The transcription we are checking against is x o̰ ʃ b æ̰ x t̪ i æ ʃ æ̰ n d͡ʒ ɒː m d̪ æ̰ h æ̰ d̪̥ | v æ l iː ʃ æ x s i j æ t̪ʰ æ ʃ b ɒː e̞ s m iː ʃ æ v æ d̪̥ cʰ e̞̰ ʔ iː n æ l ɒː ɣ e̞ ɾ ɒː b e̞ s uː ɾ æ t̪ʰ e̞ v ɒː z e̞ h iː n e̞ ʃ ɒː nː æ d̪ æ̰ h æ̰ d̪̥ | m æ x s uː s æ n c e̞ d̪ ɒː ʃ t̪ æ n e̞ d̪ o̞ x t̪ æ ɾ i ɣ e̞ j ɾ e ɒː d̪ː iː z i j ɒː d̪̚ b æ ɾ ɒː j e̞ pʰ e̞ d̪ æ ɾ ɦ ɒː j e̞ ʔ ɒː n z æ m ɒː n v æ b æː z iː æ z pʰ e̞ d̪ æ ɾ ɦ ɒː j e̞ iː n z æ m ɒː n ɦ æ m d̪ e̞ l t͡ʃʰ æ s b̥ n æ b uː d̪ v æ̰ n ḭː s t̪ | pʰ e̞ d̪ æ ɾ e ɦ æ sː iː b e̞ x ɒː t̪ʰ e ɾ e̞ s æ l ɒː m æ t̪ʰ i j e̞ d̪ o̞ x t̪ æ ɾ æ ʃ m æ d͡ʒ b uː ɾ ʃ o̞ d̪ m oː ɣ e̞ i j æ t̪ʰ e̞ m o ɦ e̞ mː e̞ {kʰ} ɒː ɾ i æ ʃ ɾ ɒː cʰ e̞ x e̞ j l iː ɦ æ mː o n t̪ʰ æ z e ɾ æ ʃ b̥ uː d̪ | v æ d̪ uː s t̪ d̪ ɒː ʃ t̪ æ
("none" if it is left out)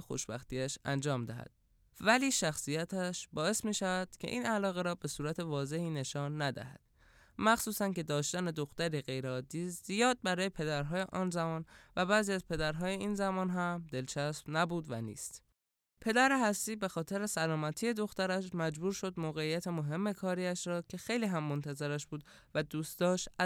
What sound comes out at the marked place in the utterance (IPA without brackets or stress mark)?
kʰ